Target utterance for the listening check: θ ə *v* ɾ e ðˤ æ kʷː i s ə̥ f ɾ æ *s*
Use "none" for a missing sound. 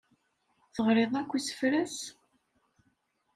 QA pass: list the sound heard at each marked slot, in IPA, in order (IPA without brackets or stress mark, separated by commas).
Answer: ʁ, s